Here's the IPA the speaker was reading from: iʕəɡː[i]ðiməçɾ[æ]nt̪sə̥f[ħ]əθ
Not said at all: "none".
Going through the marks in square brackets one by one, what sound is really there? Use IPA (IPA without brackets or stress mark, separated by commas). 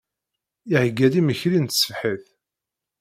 æ, i, ħ